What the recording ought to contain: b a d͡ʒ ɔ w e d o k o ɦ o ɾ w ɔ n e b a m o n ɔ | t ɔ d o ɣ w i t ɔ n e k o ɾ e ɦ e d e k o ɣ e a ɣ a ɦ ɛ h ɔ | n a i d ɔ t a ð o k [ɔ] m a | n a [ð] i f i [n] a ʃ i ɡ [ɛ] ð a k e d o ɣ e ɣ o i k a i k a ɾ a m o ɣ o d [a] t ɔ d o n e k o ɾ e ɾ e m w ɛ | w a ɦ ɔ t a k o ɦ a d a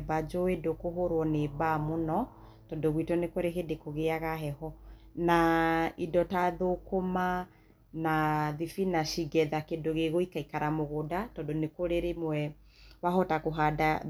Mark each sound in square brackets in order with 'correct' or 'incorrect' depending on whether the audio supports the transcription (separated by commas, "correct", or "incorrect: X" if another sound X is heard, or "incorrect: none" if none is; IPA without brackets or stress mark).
incorrect: o, correct, correct, correct, correct